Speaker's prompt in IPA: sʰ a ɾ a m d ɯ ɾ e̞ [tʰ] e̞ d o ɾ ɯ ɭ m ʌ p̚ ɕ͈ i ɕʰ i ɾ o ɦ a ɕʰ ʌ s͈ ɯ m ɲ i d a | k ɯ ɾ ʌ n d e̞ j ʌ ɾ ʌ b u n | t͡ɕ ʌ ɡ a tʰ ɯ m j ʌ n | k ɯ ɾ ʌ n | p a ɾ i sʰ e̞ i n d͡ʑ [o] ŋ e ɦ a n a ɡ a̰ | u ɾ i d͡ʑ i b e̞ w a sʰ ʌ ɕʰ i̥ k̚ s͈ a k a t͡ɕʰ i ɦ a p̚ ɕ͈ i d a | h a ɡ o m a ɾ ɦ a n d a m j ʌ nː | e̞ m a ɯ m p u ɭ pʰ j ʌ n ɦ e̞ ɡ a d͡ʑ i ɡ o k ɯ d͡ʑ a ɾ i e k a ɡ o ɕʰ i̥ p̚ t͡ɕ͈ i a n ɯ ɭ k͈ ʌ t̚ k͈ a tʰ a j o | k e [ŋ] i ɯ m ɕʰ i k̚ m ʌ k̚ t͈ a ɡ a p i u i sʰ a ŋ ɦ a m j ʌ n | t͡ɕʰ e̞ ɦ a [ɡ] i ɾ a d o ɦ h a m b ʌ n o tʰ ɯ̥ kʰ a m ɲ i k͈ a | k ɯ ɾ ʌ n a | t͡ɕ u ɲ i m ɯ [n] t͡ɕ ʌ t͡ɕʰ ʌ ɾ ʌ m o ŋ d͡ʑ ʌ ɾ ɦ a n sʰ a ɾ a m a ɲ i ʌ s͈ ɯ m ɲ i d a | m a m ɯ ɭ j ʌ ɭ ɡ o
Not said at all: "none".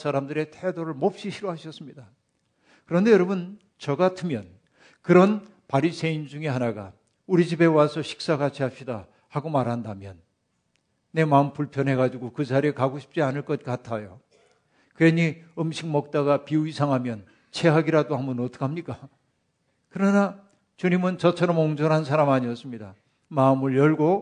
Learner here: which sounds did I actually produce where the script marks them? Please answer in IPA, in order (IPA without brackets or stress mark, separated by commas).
tʰ, u, ɲ, ɡ, n